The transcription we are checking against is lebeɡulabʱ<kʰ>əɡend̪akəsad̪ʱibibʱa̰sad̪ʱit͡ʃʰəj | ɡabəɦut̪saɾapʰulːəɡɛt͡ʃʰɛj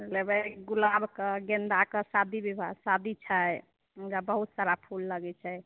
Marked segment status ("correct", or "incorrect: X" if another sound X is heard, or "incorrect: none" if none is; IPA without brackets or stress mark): incorrect: k